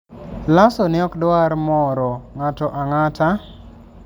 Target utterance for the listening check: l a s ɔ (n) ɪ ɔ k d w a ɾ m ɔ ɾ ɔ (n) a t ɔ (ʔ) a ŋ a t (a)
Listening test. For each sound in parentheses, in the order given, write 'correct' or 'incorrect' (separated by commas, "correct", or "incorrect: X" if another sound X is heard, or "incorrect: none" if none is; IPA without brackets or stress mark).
correct, incorrect: ŋ, correct, correct